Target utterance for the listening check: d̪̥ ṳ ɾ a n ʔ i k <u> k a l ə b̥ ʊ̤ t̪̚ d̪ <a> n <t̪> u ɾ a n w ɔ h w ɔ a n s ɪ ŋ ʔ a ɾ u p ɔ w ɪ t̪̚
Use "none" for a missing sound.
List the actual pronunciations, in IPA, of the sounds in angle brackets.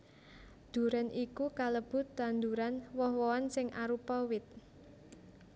u, a, d̪

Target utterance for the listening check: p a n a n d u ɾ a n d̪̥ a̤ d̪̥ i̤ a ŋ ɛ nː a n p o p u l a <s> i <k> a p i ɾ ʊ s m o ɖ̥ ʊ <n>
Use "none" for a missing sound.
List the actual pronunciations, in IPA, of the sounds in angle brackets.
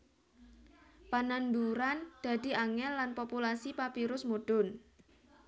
s, p, n

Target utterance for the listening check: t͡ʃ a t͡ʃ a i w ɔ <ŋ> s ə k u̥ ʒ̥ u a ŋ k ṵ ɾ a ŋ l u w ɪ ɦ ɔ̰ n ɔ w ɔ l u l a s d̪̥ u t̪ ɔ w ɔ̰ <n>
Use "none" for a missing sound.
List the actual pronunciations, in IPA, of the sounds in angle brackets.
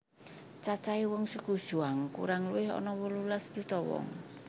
ŋ, ŋ

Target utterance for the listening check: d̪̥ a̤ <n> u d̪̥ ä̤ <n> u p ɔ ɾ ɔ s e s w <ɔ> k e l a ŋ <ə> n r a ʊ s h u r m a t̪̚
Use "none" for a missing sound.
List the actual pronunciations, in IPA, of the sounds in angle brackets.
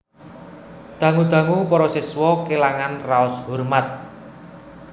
ŋ, ŋ, ɔ, a

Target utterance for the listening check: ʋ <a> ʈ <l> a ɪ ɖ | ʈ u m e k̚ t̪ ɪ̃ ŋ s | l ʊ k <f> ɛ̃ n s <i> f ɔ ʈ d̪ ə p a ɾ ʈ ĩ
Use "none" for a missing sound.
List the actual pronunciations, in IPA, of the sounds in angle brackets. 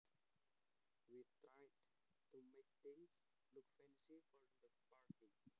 i, ɾ, f, i

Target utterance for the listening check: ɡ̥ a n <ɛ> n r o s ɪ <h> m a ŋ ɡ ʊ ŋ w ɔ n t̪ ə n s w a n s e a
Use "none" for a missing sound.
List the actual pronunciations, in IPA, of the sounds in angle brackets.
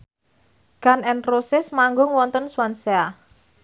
ɛ, s

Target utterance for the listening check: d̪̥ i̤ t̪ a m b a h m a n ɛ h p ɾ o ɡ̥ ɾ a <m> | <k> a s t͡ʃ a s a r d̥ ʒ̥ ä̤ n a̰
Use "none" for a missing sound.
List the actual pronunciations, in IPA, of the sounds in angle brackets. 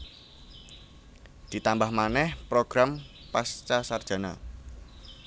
m, p

